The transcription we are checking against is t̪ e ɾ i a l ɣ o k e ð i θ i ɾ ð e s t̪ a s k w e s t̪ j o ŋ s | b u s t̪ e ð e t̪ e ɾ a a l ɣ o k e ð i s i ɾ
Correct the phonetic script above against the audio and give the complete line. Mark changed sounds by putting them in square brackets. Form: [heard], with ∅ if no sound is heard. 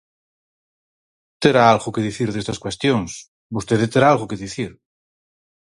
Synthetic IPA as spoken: t̪ e ɾ [a] a l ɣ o k e ð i θ i ɾ ð e s t̪ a s k w e s t̪ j o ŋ s | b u s t̪ e ð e t̪ e ɾ a a l ɣ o k e ð i [θ] i ɾ

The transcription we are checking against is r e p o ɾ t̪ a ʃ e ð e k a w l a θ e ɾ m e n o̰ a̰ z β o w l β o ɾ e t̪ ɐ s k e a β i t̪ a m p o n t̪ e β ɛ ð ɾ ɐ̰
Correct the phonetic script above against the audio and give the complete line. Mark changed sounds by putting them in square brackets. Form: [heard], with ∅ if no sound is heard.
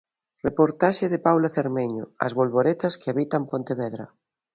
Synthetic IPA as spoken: r e p o ɾ t̪ a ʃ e ð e [p] a w l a θ e ɾ m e [ɲ] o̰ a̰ z β o [∅] l β o ɾ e t̪ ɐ s k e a β i t̪ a m p o n t̪ e β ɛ ð ɾ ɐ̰

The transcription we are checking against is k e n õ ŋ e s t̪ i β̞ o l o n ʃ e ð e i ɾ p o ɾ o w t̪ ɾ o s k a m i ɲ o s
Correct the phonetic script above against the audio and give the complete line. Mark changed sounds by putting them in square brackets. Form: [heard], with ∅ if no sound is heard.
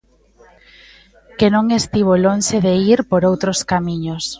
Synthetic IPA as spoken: k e n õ ŋ e s t̪ i β̞ o l o n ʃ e ð e i ɾ p o ɾ o w t̪ ɾ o s k a m i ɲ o s

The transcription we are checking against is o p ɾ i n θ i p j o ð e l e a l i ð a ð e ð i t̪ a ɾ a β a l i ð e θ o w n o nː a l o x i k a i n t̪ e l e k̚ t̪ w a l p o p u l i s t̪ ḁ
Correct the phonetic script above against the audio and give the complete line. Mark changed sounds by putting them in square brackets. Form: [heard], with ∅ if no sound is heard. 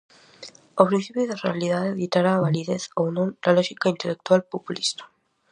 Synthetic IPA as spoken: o p ɾ i n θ i p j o ð e [r] e a l i ð a ð e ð i t̪ a ɾ a β a l i ð e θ o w n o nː a l o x i k a i n t̪ e l e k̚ t̪ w a l p o p u l i s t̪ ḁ

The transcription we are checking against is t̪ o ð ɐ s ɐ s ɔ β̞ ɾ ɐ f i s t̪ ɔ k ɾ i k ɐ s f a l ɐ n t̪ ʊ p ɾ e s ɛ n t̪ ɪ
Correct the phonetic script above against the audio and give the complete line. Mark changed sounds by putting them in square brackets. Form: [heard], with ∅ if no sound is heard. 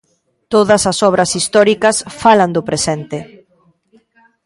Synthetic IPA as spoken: t̪ o ð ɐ s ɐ s ɔ β̞ ɾ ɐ [s] i s t̪ ɔ [∅] ɾ i k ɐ s f a l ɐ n [d̪] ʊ p ɾ e s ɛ n t̪ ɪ

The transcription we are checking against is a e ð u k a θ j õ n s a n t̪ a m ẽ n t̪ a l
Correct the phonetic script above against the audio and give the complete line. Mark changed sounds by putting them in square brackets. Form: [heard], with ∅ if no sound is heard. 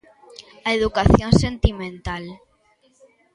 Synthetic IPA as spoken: a e ð u k a θ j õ n s [e] n t̪ [i] m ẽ n t̪ a l

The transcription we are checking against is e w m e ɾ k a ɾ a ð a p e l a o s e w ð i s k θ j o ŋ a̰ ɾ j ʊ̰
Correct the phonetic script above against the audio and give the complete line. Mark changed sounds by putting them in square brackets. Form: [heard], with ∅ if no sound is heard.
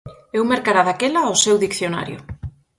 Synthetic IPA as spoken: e w m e ɾ k a ɾ a ð a [k] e l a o s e w ð i [∅] k θ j o [n] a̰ ɾ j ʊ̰

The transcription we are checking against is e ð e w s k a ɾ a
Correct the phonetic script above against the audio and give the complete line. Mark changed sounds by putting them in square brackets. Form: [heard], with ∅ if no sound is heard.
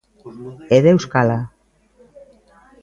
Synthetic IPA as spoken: e ð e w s k a [l] a

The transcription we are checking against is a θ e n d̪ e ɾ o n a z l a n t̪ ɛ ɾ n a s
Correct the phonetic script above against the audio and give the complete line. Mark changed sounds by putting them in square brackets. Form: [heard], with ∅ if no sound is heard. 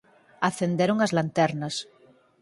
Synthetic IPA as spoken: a θ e n d̪ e ɾ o [ŋ] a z l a n t̪ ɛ ɾ n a s

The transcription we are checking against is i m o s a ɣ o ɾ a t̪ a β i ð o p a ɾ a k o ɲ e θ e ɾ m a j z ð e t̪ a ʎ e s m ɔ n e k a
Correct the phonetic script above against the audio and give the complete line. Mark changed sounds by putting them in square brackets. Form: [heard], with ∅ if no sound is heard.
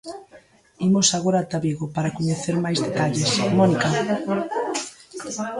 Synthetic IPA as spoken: i m o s a ɣ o ɾ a t̪ a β i [ɣ] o p a ɾ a k o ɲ e θ e ɾ m a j z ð e t̪ a ʎ e s m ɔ n [i] k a

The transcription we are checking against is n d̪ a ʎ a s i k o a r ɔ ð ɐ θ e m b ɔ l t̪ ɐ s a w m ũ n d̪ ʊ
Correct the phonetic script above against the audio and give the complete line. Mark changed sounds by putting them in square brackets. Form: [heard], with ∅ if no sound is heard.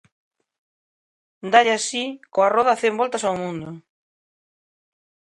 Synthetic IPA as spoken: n d̪ a ʎ a s i k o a r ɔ ð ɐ θ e m b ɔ l t̪ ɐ s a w m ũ n d̪ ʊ

